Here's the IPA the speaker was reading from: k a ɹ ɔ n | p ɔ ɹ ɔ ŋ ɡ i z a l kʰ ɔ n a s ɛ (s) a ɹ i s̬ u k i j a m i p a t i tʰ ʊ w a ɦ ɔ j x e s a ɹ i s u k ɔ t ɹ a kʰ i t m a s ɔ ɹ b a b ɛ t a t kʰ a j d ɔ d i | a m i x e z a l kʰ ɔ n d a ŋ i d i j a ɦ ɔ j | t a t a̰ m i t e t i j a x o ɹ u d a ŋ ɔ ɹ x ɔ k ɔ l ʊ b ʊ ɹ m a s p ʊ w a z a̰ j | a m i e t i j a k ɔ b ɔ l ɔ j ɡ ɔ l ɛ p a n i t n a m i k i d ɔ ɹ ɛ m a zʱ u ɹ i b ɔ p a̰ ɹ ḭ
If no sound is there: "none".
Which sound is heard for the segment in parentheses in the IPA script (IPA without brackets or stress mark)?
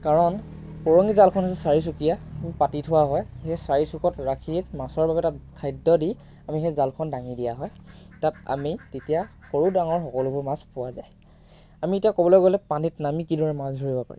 s